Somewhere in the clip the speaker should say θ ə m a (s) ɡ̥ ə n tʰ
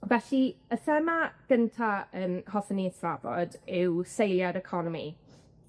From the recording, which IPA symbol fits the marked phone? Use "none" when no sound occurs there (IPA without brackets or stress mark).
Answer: none